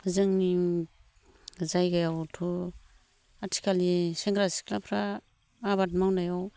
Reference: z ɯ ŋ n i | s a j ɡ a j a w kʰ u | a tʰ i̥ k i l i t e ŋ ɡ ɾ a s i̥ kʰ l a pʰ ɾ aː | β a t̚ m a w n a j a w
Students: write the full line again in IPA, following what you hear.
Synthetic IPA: z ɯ ŋ n i | z a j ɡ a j a w tʰ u | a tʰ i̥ k a l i s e ŋ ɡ ɾ a s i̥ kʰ l a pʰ ɾ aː | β a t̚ m a w n a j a w